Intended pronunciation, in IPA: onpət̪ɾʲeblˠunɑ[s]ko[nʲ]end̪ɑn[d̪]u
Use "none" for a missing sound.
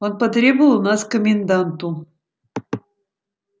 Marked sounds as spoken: s, mʲ, t̪

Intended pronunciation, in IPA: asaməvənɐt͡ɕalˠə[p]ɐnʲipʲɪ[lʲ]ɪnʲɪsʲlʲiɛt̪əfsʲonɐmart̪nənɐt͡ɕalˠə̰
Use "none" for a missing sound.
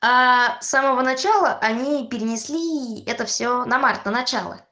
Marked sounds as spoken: ʔ, ɾʲ

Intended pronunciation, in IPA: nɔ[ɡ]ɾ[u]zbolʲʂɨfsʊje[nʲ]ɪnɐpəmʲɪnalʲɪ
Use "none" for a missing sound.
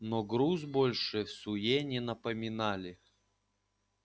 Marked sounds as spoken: ɡ, u, nʲ

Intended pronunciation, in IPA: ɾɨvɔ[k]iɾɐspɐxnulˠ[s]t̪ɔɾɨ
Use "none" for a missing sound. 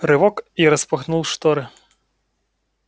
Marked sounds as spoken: k, ʂ

